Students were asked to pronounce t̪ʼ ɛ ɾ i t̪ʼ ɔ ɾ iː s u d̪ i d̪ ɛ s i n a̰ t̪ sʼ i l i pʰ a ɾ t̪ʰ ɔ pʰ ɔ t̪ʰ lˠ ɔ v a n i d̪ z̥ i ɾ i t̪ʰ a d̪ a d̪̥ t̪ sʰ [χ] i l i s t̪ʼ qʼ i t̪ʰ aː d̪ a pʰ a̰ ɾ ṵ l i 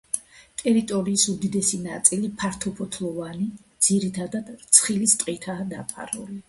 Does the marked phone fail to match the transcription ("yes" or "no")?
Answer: no